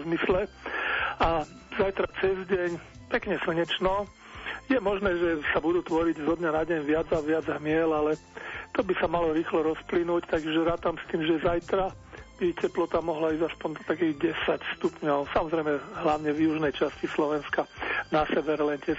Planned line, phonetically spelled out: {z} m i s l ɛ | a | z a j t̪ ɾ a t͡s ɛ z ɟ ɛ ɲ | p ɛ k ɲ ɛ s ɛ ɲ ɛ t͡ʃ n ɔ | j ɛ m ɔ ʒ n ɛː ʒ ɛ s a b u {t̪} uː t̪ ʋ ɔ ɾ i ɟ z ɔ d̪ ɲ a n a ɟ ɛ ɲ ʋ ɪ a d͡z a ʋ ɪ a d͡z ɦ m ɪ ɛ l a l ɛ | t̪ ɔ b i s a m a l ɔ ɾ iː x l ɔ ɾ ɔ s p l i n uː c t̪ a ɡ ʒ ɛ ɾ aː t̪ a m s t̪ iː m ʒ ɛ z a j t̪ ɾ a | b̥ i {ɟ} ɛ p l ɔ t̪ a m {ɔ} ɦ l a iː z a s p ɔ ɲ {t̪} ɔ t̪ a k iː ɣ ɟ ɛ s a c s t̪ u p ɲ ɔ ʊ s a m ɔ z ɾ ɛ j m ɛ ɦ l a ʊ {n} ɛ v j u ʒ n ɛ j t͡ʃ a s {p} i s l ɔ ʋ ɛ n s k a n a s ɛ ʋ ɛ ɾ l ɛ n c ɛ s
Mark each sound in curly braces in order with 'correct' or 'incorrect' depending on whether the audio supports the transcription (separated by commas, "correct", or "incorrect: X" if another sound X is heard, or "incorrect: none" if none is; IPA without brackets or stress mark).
correct, incorrect: d̪, incorrect: c, correct, incorrect: d̪, incorrect: ɲ, incorrect: c